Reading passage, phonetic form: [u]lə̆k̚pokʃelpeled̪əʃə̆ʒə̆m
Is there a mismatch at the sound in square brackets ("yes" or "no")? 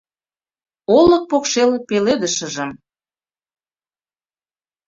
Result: yes